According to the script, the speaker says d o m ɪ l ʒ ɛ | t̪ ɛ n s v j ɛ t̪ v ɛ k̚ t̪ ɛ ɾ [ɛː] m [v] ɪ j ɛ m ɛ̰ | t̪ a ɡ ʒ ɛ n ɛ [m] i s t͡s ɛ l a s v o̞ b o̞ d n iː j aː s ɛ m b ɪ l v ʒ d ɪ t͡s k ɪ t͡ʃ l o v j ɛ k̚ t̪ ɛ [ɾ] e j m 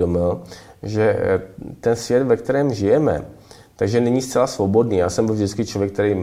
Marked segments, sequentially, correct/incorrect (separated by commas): correct, incorrect, incorrect, correct